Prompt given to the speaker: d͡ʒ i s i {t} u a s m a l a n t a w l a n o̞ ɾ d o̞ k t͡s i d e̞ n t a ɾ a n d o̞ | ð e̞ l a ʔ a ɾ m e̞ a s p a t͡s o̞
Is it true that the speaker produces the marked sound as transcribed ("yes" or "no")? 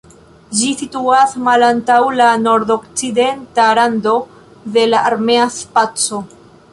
yes